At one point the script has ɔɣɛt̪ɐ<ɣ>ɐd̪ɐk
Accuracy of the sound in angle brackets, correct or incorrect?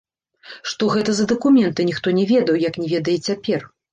incorrect